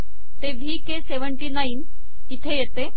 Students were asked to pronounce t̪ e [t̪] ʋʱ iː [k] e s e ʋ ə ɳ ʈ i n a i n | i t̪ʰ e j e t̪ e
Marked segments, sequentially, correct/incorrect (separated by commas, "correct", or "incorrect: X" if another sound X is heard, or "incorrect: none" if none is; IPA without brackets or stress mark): incorrect: none, correct